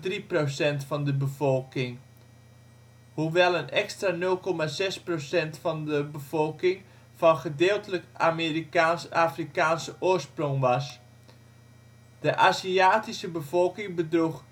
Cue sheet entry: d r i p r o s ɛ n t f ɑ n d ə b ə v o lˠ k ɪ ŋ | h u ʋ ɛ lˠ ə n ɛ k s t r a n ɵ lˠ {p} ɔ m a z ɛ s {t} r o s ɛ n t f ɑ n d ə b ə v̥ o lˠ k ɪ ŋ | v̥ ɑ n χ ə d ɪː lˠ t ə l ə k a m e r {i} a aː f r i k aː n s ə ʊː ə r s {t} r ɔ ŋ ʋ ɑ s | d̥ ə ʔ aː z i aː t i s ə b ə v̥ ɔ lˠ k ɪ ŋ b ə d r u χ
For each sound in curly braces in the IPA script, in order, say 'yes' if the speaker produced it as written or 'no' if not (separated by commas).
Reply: no, no, yes, no